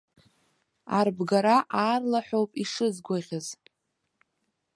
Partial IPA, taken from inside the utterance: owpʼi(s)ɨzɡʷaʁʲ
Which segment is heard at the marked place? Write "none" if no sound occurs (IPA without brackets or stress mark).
ʂ